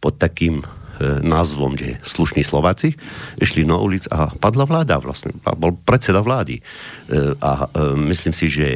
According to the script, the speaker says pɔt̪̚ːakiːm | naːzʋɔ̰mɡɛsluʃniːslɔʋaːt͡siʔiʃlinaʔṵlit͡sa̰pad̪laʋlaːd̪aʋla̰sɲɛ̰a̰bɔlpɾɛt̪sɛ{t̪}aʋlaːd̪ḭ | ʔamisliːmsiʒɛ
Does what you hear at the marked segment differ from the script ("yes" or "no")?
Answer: yes